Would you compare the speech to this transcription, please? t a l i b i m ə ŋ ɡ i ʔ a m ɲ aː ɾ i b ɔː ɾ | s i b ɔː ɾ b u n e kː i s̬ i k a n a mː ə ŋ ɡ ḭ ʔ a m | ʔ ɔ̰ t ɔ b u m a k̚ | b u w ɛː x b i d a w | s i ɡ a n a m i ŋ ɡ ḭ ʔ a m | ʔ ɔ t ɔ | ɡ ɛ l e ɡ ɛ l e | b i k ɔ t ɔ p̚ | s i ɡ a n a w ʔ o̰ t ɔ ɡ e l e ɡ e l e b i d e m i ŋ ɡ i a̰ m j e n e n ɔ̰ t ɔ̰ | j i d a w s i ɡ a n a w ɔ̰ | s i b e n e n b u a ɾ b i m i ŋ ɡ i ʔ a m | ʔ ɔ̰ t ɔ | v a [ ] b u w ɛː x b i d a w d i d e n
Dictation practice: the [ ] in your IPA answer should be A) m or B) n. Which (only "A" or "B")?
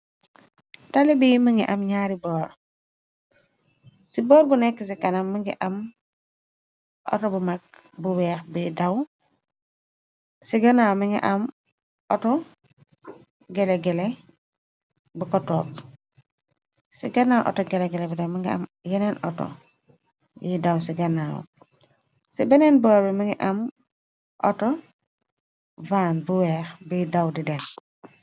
B